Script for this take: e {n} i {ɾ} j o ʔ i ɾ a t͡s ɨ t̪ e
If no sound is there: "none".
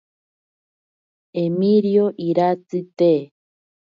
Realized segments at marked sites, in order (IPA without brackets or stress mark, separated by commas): m, ɾ